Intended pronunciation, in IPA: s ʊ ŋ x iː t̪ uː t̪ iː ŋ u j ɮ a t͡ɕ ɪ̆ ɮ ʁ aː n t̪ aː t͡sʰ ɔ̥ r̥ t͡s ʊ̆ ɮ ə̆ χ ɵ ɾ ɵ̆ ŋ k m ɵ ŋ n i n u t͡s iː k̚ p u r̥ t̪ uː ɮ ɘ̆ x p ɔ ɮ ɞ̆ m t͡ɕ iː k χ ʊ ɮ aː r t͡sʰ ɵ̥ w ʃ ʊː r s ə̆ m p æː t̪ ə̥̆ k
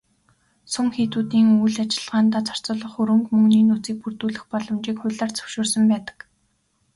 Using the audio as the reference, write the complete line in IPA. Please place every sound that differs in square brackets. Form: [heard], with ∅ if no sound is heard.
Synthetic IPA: s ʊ ŋ x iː t̪ uː t̪ iː ŋ u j ɮ a t͡ɕ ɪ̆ ɮ ʁ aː n t̪ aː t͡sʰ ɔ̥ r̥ t͡s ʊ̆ ɮ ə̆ χ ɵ ɾ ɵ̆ ŋ k m ɵ ŋ n [iː] n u t͡s iː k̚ p u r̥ t̪ uː ɮ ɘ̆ x p ɔ ɮ ɞ̆ m t͡ɕ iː k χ ʊ ɮ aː r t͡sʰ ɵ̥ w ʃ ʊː r s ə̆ m p æː t̪ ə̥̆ k